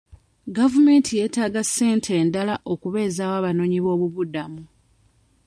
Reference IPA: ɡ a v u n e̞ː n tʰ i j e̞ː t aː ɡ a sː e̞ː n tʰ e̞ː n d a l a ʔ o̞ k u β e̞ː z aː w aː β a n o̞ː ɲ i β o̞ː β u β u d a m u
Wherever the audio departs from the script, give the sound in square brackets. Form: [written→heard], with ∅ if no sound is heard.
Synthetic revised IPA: ɡ a v u [n→m] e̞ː n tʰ i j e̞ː t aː ɡ a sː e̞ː n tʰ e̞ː n d a l a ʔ o̞ k u β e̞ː z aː w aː β a n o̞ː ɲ i β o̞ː β u β u d a m u